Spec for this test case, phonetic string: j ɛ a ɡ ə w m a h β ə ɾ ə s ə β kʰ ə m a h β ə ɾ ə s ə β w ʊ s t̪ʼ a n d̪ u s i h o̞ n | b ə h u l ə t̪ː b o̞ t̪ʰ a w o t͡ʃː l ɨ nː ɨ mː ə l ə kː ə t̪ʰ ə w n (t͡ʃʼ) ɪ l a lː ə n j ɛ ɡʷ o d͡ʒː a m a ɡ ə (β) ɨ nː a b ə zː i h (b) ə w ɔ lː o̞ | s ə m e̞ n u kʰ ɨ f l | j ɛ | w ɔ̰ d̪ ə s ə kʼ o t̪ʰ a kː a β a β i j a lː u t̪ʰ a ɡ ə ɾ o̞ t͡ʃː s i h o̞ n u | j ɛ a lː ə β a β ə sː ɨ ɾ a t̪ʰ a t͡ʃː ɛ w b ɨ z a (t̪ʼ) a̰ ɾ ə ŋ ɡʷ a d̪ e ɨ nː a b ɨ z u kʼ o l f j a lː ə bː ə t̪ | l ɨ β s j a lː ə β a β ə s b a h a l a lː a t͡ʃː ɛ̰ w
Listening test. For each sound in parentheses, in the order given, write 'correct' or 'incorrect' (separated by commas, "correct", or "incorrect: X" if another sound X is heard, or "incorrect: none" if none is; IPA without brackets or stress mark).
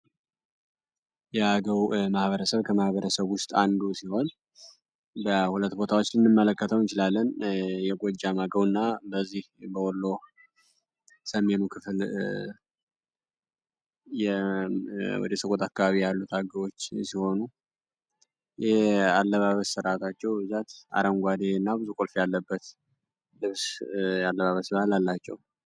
incorrect: t͡ʃ, incorrect: w, correct, incorrect: t̪